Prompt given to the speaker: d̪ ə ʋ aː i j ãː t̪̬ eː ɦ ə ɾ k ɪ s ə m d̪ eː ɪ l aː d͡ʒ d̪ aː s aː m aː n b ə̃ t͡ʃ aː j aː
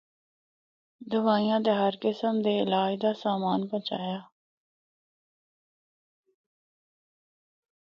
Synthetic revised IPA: d̪ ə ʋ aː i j ãː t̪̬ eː ɦ ə ɾ k ɪ s ə m d̪ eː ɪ l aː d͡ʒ d̪ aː s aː m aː n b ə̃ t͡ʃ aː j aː